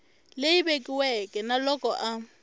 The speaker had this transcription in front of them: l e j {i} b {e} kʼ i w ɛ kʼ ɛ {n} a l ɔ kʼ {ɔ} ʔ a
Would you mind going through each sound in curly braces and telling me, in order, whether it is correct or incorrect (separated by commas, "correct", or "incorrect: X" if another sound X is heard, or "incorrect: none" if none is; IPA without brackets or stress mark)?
correct, correct, correct, correct